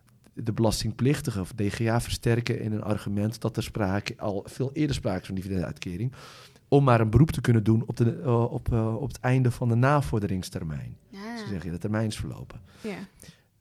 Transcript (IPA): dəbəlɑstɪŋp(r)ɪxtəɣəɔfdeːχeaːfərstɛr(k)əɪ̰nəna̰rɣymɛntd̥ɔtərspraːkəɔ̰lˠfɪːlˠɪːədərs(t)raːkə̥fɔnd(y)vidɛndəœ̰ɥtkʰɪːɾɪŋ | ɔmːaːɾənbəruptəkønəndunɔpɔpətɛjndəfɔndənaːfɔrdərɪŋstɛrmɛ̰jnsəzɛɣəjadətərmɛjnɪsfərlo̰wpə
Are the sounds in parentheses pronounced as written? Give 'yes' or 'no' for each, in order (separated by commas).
no, yes, no, no